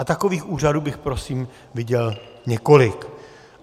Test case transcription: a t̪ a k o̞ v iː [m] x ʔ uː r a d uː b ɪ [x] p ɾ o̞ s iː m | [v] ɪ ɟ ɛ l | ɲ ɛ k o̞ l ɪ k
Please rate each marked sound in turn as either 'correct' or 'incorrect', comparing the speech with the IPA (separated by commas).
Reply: incorrect, correct, correct